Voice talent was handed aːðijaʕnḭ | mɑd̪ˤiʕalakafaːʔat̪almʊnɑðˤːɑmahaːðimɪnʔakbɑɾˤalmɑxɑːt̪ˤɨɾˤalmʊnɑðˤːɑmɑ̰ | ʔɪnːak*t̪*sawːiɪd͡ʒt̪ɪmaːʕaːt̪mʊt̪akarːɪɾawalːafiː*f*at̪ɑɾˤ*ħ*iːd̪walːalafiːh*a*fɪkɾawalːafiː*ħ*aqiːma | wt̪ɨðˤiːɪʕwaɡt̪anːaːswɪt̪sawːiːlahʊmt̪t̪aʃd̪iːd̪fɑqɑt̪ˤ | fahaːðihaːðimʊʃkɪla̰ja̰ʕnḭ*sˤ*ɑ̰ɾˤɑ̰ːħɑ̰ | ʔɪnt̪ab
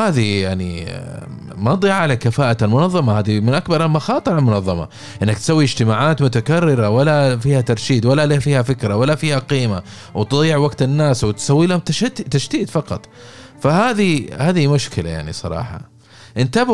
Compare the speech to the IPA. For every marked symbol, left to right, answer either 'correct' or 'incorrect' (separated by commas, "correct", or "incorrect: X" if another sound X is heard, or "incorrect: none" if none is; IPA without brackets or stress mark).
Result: correct, incorrect: h, incorrect: ʃ, correct, incorrect: h, correct